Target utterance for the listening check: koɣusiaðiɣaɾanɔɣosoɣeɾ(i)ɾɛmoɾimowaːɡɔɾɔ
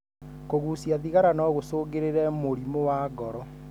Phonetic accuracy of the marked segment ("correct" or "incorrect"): incorrect